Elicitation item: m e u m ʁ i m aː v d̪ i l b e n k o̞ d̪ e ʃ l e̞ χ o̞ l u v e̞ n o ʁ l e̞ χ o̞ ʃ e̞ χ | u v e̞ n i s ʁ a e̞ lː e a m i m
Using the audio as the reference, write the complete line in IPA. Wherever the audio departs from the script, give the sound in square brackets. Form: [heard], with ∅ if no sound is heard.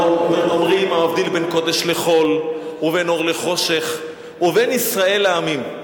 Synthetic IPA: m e [o] m ʁ i m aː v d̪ i l b e n k o̞ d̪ e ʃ l e̞ χ o̞ l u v e̞ n o ʁ l e̞ χ o̞ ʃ e̞ χ | u v e̞ n i s ʁ a e̞ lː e a m i m

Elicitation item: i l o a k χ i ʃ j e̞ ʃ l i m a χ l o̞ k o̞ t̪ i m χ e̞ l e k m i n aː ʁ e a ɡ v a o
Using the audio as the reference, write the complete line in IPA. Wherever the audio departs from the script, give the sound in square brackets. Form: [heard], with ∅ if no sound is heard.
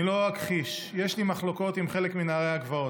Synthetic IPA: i l o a k χ i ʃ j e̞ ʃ l i m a χ l o̞ k o̞ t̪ i m χ e̞ l e k m i n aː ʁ e a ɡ v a o

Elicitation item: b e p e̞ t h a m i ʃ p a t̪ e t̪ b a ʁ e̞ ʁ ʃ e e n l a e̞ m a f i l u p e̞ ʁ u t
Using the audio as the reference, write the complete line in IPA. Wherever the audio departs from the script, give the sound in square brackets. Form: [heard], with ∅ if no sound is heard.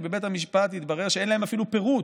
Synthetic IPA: b e [b] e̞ t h a m i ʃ p a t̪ [i] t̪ b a ʁ e̞ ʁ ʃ e e n l a e̞ m a f i l u p e̞ ʁ u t

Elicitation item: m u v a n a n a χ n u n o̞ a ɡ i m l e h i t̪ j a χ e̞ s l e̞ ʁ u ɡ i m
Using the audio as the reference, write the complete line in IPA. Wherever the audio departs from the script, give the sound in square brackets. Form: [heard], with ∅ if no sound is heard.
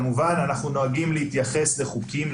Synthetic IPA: m u v a n a n a χ n u n o̞ a ɡ i m l e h i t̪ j a χ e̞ s l e̞ [χ] u [k] i m

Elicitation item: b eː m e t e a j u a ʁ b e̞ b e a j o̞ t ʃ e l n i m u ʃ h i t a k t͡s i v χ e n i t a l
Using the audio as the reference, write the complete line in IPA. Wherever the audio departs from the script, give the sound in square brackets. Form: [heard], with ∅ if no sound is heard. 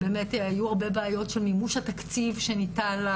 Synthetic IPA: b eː m e t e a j u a ʁ b e̞ b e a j o̞ t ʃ e l [m] i m u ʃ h [a] t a k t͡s i v [ʃ] e n i t a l

